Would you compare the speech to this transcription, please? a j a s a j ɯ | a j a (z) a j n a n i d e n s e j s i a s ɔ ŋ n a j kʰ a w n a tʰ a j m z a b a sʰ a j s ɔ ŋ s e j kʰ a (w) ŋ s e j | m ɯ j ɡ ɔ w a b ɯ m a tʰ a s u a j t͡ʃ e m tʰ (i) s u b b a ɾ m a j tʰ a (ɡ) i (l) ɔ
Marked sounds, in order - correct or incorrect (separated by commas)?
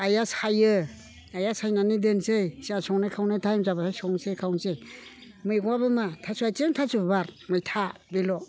incorrect, correct, incorrect, incorrect, correct